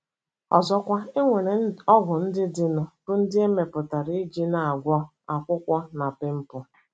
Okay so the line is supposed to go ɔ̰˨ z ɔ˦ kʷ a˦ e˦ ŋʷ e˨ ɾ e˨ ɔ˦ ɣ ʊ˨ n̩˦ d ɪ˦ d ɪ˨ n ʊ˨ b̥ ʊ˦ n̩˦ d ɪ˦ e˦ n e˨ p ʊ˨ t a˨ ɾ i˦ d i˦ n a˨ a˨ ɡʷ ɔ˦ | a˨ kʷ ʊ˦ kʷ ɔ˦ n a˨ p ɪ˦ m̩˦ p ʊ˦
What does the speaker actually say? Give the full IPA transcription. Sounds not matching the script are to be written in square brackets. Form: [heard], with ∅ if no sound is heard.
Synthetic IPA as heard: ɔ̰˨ z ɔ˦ kʷ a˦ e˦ ŋʷ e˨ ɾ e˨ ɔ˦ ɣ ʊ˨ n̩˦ d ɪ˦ d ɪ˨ n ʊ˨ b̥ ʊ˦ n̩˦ d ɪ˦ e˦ [m] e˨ p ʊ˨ t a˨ ɾ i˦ [d͡ʒ] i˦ n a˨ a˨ ɡʷ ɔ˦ | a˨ kʷ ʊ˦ kʷ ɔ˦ n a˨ p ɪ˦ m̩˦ p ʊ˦